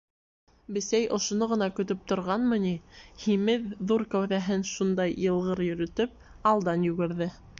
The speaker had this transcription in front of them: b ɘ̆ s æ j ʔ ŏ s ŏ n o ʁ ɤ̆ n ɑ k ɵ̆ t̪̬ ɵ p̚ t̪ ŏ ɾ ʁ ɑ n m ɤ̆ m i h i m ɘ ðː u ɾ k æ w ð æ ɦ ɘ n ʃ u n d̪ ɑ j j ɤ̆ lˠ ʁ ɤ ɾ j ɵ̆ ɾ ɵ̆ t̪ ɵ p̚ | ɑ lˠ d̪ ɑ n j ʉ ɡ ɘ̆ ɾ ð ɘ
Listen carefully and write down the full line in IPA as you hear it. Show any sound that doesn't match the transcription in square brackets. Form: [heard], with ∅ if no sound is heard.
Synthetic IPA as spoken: b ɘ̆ s æ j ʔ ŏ [ʃ] ŏ n o ʁ ɤ̆ n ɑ k ɵ̆ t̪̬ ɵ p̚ t̪ ŏ ɾ ʁ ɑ n m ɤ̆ [n] i h i m ɘ ðː u ɾ k æ w ð æ ɦ ɘ n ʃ u n d̪ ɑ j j ɤ̆ lˠ ʁ ɤ ɾ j ɵ̆ ɾ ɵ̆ t̪ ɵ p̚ | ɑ lˠ d̪ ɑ n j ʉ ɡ ɘ̆ ɾ ð ɘ